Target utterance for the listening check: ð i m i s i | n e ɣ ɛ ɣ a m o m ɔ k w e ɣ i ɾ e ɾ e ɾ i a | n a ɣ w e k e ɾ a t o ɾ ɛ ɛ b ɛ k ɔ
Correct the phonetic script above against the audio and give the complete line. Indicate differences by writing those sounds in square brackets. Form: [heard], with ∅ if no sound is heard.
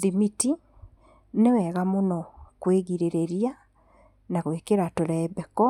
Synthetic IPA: ð i m i [t] i | n e [w] ɛ ɣ a m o [n] ɔ k w e ɣ i ɾ e ɾ e ɾ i a | n a ɣ w e k e ɾ a t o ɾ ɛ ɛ b ɛ k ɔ